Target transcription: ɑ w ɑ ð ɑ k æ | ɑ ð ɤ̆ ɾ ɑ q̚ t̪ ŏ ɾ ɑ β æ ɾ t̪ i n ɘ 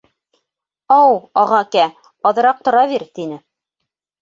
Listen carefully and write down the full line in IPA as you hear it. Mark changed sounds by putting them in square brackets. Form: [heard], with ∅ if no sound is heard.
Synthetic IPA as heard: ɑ w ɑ [ʁ] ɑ k æ | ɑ ð ɤ̆ ɾ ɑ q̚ t̪ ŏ ɾ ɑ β [i] ɾ t̪ i n ɘ